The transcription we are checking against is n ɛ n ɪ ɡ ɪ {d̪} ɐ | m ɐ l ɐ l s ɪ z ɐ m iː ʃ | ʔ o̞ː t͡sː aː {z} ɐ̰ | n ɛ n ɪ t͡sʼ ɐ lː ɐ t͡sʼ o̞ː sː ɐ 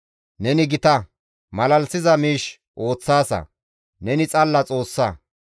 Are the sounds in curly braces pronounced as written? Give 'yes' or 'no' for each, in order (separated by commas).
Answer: no, no